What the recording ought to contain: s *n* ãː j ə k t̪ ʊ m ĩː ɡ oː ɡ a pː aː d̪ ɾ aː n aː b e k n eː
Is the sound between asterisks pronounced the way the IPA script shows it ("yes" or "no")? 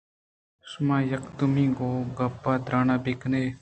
no